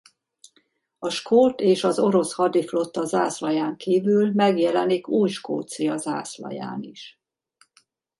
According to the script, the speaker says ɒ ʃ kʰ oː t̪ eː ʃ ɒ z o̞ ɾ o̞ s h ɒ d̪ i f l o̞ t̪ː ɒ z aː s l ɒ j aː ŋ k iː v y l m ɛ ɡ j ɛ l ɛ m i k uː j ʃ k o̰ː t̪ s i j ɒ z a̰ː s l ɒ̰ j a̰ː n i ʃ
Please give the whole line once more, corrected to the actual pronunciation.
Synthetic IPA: ɒ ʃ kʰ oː t̪ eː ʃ ɒ z o̞ ɾ o̞ s h ɒ d̪ i f l o̞ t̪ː ɒ z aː s l ɒ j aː ŋ k iː v y l m ɛ ɡ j ɛ l ɛ n i k uː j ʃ k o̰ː t̪ s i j ɒ z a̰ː s l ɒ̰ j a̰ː n i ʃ